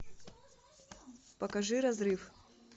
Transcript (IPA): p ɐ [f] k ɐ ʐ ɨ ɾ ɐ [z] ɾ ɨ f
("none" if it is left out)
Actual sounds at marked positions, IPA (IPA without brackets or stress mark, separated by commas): none, z